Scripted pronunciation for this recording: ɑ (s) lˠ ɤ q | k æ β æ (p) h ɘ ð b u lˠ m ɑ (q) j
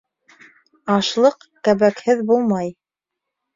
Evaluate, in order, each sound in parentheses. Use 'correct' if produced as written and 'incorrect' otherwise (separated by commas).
incorrect, incorrect, incorrect